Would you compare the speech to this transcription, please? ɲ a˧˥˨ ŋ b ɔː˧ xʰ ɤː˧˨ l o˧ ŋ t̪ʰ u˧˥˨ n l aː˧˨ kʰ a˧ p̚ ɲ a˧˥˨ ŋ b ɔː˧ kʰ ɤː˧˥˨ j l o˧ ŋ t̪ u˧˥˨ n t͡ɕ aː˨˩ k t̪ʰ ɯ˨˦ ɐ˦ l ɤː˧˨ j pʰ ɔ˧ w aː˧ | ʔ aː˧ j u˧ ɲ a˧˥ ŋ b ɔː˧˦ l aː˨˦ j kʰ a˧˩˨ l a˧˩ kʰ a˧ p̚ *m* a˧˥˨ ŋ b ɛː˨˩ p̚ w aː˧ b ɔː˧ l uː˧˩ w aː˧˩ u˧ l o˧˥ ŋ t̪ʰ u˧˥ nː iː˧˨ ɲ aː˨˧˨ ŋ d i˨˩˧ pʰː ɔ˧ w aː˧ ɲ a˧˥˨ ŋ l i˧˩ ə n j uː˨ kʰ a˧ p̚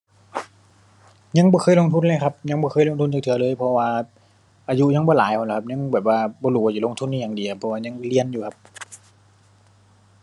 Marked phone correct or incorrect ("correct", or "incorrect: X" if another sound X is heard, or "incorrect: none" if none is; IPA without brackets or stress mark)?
incorrect: ɲ